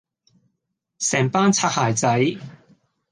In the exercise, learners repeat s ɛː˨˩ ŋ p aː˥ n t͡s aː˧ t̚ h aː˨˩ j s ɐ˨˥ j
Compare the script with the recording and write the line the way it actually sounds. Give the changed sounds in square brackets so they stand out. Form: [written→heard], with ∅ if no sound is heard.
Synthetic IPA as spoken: s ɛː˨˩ ŋ p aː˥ n [t͡s→t͡sʰ] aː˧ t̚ h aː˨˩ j [s→t͡s] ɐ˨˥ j